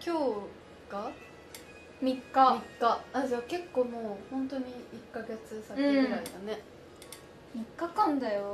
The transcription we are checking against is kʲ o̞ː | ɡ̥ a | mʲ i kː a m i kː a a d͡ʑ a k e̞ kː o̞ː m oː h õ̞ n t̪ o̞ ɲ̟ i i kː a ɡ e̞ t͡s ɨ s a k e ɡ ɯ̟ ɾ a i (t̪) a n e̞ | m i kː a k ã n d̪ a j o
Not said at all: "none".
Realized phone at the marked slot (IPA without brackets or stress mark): d̪